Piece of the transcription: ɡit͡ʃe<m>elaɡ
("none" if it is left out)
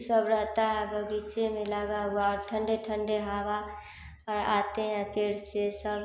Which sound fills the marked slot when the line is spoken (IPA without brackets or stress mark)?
m